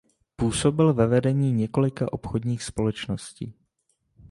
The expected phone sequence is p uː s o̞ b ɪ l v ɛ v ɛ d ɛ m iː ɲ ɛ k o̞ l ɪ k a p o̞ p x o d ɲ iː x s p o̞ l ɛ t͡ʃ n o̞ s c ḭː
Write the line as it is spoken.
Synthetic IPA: p uː s o̞ b ɪ l v ɛ v ɛ d ɛ ɲ iː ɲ ɛ k o̞ l ɪ k a ʔ o̞ p x o d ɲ iː x s p o̞ l ɛ t͡ʃ n o̞ s c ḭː